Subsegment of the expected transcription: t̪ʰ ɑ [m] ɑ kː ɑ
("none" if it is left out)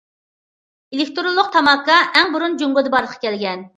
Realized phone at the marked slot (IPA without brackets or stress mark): m